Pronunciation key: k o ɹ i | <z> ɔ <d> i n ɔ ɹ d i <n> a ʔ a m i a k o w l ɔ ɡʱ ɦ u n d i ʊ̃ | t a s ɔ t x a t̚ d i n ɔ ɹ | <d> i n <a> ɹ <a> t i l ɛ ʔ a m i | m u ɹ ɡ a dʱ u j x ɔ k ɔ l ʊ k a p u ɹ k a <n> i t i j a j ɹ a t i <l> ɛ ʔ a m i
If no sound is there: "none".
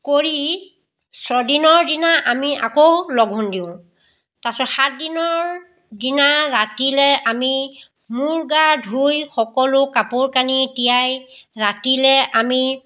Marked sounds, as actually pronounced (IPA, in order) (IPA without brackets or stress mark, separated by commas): s, d, n, d, a, a, n, l